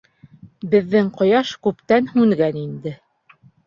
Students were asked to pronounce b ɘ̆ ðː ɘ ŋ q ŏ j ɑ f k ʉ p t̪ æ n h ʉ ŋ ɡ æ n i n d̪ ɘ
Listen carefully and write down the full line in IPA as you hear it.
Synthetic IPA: b ɘ̆ ðː ɘ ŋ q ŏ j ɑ ʃ k ʉ p t̪ æ n h ʉ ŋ ɡ æ n i n d̪ ɘ